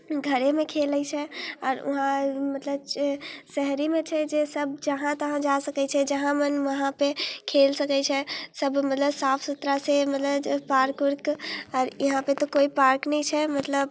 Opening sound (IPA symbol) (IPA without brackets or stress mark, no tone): ɡʱ